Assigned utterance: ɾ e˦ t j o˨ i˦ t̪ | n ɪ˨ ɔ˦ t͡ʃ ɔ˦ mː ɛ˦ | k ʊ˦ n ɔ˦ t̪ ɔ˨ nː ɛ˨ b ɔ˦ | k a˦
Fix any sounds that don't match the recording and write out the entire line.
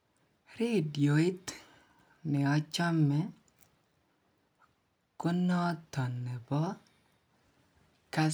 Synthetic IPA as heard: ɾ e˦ d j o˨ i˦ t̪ | n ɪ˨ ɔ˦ t͡ʃ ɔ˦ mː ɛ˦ | k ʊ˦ n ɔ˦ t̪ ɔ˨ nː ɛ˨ b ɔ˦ | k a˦